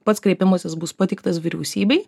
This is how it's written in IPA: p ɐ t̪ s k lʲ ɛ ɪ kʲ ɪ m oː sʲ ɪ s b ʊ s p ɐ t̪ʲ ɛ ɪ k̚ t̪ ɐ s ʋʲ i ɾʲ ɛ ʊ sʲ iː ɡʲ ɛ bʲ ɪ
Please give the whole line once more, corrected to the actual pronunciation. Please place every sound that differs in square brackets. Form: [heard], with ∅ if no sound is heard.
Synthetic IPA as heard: p ɐ t̪ s k [ɾʲ] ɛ ɪ [pʲ] ɪ m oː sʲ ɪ s b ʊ s p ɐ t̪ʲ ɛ ɪ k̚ t̪ ɐ s ʋʲ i ɾʲ ɛ ʊ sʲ iː [bʲ] ɛ [∅] ɪ